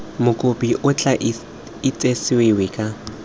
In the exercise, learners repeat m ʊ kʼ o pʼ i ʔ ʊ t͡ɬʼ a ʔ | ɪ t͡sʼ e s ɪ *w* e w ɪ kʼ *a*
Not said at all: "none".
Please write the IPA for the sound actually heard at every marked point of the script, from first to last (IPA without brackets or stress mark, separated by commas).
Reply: w, a